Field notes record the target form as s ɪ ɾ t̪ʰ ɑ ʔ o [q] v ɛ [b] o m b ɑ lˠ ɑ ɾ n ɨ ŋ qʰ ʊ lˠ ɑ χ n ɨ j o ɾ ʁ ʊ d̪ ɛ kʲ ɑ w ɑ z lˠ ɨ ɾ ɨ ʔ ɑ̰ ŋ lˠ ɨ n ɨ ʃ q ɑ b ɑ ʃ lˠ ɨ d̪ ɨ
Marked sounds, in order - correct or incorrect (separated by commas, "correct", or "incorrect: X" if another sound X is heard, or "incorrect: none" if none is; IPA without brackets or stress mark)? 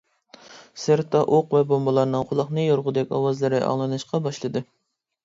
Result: correct, correct